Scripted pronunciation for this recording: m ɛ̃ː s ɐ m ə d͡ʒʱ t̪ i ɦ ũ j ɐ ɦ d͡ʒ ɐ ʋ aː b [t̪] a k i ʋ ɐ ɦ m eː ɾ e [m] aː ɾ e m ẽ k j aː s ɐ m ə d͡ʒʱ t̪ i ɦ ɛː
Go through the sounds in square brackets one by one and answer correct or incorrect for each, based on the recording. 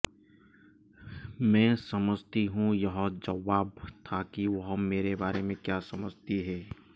incorrect: t̪ʰ, incorrect: b

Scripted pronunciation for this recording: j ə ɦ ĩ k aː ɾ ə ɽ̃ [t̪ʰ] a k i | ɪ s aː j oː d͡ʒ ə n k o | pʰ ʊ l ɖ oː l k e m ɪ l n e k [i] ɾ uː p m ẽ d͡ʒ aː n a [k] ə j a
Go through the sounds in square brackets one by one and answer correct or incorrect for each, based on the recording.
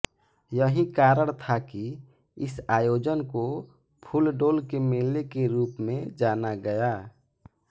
correct, incorrect: e, incorrect: ɡ

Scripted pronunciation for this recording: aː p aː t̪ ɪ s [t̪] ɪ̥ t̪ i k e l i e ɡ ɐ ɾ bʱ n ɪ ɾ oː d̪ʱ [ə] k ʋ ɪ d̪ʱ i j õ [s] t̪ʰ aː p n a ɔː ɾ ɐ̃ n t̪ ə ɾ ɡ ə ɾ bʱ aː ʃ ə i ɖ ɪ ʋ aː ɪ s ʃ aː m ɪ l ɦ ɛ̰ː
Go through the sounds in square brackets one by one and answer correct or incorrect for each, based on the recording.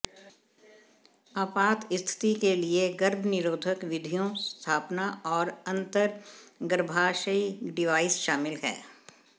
incorrect: t̪ʰ, correct, correct

